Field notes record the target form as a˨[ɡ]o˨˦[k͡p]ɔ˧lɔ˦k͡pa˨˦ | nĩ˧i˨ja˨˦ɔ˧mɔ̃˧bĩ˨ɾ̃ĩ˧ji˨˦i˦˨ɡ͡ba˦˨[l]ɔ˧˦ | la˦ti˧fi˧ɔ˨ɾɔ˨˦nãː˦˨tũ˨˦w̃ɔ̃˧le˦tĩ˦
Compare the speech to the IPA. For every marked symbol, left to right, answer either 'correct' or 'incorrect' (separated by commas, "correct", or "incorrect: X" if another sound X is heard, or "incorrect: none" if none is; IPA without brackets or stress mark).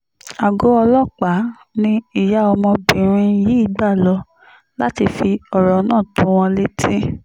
correct, incorrect: none, correct